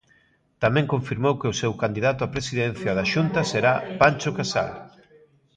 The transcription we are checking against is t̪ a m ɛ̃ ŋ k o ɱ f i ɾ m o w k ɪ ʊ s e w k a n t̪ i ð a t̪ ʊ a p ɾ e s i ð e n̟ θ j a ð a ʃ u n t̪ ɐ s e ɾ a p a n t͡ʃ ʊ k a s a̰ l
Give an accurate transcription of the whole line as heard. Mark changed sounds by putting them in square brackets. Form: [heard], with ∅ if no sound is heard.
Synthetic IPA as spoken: t̪ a m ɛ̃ ŋ k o ɱ f i ɾ m o w k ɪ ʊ s e w k a n [d̪] i ð a t̪ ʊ a p ɾ e s i ð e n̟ θ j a ð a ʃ u n t̪ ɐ s e ɾ a p a n t͡ʃ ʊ k a s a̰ l